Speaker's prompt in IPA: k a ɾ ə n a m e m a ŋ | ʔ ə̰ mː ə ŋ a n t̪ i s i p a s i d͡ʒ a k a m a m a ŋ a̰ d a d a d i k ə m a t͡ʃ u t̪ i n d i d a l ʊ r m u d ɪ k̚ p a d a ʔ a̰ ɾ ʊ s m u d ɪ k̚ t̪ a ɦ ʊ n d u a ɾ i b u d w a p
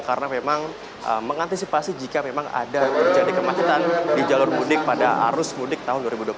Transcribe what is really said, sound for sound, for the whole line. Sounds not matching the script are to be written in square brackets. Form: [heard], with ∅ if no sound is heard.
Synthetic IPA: k a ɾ ə n a m e m a ŋ | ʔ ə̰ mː ə ŋ a n t̪ i s i p a s i d͡ʒ [i] k a m [e] m a ŋ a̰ d a [d͡ʒ] a d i k ə m a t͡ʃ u t̪ [a] n d i [d͡ʒ] a l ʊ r m u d ɪ k̚ p a d a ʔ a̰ ɾ ʊ s m u d ɪ k̚ t̪ a ɦ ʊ n d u a ɾ i b u d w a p